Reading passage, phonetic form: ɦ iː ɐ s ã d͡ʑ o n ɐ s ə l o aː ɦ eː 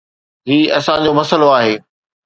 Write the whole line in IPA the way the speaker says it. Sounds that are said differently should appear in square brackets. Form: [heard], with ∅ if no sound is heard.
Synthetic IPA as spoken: ɦ iː ɐ s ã d͡ʑ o [m] ɐ s ə l o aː ɦ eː